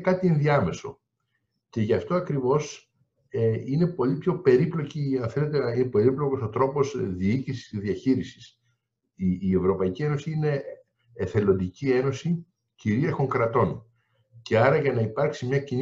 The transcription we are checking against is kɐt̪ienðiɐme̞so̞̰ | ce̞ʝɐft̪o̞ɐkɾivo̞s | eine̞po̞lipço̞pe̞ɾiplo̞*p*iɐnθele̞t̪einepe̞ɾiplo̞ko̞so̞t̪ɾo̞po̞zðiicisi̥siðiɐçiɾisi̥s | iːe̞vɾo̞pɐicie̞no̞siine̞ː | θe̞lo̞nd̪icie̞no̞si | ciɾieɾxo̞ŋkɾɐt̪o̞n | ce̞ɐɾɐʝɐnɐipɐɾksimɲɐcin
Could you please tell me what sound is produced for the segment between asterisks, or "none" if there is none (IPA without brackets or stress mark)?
c